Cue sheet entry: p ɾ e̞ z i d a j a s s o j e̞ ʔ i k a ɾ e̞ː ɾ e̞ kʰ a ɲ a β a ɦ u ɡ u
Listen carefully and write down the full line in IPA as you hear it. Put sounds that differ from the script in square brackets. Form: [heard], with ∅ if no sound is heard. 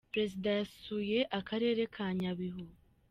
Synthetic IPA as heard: p ɾ e̞ z i d a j a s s [u] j e̞ ʔ [a] k a ɾ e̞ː ɾ e̞ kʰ a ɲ a β [i] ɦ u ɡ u

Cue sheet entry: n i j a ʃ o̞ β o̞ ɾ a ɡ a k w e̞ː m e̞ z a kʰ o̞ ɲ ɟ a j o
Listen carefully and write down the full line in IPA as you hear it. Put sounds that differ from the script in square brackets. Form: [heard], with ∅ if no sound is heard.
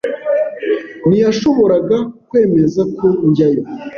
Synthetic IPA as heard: n i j a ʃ o̞ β o̞ ɾ a ɡ a k w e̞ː m e̞ z a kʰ o̞ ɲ ɟ a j o

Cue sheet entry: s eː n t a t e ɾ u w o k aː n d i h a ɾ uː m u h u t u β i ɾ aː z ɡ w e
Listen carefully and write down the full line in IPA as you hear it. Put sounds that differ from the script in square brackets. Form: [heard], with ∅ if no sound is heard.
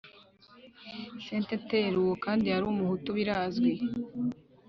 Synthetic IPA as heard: s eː n t [e] t e ɾ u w o k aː n d i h a ɾ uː m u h u t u β i ɾ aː z ɡ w e

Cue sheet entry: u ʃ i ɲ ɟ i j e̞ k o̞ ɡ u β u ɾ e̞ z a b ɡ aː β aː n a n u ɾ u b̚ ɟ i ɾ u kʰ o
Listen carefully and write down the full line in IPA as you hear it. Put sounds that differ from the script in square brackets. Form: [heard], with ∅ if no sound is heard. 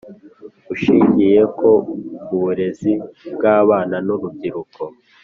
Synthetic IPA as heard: u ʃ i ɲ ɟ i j e̞ k o̞ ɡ u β u ɾ e̞ z [i] b ɡ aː β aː n a n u ɾ u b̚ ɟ i ɾ u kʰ o

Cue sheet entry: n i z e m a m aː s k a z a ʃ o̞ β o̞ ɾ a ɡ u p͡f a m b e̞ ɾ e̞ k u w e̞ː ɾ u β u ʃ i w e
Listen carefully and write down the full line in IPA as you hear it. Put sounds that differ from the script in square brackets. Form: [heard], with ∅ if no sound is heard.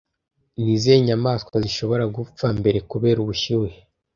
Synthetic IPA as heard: n i z e [ɲ] a m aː s k a z [i] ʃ o̞ β o̞ ɾ a ɡ u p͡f a m b e̞ ɾ e̞ k u [β] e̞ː ɾ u β u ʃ i w e

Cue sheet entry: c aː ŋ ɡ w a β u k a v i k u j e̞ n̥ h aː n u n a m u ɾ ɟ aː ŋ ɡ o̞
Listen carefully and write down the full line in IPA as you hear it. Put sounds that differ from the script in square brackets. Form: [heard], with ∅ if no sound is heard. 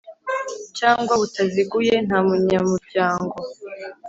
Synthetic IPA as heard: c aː ŋ ɡ w a β u [t] a [z] i [ɡ] u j e̞ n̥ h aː [m] u [ɲ] a m u ɾ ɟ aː ŋ ɡ o̞

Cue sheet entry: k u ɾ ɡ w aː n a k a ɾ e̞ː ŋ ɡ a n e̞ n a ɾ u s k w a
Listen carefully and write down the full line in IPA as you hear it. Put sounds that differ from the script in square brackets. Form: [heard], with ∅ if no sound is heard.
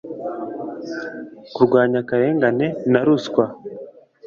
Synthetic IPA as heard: k u ɾ ɡ w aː [ɲ] a k a ɾ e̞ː ŋ ɡ a n e̞ n a ɾ u s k w a

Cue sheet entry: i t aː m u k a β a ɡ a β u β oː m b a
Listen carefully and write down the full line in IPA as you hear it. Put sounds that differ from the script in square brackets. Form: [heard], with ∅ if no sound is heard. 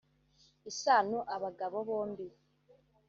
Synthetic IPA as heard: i [s] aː [n] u [ʔ] a β a ɡ a β [o] β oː m b [i]

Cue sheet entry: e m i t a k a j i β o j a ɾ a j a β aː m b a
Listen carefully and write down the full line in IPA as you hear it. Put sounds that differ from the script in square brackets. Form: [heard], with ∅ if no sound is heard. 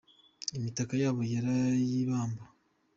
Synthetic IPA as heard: e m i t a k a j [a] β o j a ɾ a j [i] β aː m b a

